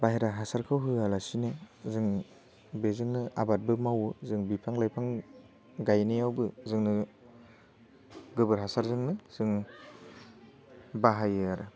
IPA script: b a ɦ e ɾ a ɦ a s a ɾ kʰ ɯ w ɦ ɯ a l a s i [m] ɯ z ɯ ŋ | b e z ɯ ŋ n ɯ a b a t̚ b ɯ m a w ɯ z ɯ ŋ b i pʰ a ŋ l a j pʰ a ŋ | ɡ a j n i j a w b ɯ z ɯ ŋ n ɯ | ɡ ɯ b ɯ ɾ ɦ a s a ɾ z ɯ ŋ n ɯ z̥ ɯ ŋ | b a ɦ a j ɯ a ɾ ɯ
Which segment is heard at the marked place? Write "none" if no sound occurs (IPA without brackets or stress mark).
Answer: n